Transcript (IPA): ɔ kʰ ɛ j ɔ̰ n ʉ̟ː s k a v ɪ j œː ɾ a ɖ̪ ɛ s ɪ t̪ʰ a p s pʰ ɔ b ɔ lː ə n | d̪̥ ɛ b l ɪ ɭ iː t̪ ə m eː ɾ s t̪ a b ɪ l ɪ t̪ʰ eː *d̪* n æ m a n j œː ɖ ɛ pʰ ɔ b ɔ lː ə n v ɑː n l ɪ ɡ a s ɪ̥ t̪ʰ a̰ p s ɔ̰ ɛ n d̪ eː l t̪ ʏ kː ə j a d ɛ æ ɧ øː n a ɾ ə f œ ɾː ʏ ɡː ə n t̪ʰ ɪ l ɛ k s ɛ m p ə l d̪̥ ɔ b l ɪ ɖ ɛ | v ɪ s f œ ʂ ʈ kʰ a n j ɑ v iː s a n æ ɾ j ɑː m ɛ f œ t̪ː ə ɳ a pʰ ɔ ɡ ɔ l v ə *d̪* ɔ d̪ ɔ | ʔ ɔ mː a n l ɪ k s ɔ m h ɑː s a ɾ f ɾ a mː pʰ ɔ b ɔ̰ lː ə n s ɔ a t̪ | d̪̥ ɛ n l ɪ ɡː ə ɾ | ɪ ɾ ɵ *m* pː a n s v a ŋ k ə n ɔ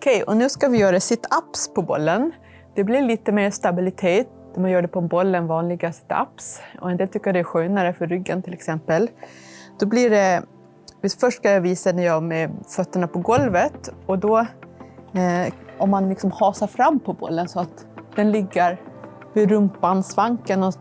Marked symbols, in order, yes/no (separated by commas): no, no, yes